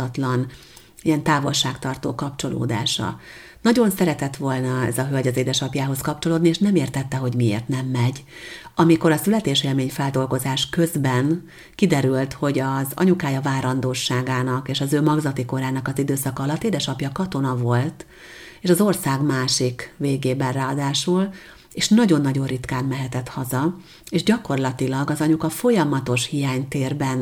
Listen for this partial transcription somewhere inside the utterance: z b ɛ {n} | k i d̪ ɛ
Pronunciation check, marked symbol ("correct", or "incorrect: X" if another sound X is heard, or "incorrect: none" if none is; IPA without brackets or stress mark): correct